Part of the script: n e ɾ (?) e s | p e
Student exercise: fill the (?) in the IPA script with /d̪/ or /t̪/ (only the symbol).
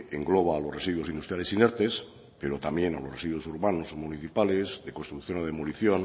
t̪